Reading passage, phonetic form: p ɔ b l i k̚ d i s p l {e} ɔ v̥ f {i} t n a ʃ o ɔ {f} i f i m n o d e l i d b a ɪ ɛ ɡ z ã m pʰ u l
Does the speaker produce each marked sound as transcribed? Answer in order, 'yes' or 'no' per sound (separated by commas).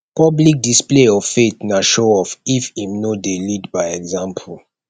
yes, no, yes